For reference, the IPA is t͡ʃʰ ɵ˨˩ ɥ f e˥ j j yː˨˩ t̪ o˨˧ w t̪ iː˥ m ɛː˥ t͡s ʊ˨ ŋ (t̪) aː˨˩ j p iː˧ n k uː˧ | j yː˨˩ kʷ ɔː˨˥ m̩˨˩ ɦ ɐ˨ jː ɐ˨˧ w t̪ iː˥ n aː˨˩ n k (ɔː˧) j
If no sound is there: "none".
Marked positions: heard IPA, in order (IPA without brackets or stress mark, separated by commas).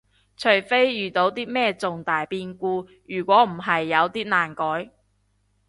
t̪, ɔː˨˥